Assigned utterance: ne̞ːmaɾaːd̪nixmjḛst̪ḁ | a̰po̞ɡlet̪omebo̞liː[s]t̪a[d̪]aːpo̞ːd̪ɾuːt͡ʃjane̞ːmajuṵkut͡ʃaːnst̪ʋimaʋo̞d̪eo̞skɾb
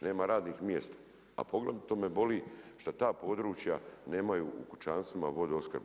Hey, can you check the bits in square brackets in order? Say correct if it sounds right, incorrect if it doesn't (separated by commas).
incorrect, incorrect